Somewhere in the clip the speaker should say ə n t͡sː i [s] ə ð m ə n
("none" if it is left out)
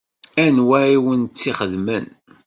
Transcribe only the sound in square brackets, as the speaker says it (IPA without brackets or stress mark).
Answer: χ